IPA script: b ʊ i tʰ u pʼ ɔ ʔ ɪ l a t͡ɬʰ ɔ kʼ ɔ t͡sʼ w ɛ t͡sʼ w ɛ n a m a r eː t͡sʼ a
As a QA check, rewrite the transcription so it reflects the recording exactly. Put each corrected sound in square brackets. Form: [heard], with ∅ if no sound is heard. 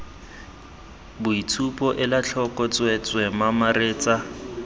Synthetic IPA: b ʊ i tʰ u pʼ ɔ ʔ ɪ l a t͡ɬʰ ɔ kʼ ɔ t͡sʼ w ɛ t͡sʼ w ɛ [m] a m a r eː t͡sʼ a

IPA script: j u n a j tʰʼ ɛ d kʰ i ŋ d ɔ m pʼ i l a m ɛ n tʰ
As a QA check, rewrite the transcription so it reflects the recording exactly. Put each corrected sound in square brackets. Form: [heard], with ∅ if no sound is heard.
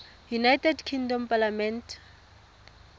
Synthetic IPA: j u n a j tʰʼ ɛ d kʰ i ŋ d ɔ m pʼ [a] l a m ɛ n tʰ

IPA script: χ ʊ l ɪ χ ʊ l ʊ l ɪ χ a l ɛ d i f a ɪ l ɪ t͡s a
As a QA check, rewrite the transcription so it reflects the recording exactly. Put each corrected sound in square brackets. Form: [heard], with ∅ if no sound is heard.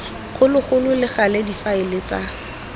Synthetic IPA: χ ʊ l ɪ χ ʊ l ʊ l ɪ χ a l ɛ d i f a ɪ l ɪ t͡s a

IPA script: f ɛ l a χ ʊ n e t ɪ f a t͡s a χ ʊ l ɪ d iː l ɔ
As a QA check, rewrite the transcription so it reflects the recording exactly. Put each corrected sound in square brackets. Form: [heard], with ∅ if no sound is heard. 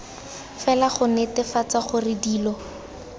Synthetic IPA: f ɛ l a χ ʊ n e t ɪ f a t͡s a χ ʊ [r] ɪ d iː l ɔ

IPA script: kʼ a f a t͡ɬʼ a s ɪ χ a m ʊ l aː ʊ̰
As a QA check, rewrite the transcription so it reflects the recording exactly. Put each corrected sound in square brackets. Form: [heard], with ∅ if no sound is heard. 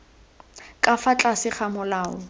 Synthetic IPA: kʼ a f a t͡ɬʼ a s ɪ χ a m ʊ l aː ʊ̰

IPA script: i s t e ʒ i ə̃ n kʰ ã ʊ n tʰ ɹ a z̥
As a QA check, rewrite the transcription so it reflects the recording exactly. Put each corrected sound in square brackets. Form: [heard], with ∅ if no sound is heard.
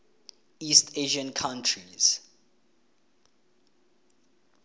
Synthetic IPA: i s t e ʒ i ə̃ n kʰ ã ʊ n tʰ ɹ [i] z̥

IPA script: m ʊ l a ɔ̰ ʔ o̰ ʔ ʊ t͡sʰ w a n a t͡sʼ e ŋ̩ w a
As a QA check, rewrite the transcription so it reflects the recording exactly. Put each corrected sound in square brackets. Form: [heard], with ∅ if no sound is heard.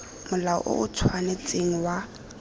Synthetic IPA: m ʊ l a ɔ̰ ʔ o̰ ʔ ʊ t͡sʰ w a n [e] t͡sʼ e ŋ̩ w a

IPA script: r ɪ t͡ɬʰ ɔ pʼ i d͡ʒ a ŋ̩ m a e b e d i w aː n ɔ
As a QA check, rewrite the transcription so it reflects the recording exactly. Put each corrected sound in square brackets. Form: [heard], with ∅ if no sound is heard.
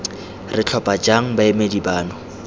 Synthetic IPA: r ɪ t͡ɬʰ ɔ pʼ [a] d͡ʒ a ŋ̩ [b] a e [m] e d i [b] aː n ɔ

